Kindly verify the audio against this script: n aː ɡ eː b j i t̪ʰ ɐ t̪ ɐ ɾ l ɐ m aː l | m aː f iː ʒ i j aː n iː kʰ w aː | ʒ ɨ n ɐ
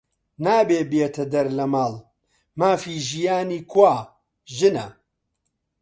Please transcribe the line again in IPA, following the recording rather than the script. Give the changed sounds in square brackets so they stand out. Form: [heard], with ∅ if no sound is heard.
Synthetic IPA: n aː [b] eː b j [e] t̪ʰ ɐ [d̪] ɐ ɾ l ɐ m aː l | m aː f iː ʒ i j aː n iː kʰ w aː | ʒ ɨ n ɐ